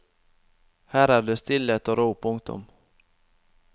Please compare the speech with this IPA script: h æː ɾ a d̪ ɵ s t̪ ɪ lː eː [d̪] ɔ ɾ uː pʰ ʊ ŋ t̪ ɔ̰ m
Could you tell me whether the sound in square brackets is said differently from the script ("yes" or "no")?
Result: yes